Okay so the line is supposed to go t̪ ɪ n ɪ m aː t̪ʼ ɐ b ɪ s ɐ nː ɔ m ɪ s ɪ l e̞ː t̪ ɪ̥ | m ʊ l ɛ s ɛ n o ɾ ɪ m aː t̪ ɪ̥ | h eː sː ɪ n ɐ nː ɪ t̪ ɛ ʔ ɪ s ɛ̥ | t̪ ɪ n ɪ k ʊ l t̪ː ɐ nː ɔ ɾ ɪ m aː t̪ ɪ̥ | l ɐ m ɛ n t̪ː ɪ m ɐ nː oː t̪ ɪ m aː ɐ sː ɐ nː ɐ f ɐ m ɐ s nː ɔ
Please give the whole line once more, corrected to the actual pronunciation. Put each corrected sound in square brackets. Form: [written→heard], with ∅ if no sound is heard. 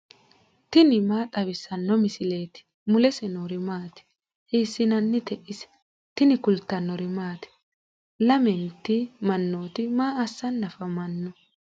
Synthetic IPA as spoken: t̪ ɪ n ɪ m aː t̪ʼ ɐ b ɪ s ɐ nː ɔ m ɪ s ɪ l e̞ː t̪ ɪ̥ | m ʊ l ɛ s ɛ n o ɾ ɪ m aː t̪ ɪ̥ | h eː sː ɪ n ɐ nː ɪ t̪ ɛ ʔ ɪ s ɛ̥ | t̪ ɪ n ɪ k ʊ l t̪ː ɐ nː ɔ ɾ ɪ m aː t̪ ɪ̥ | l ɐ m ɛ n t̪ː ɪ m ɐ nː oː t̪ ɪ m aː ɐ sː ɐ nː ɐ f ɐ m ɐ [s→∅] nː ɔ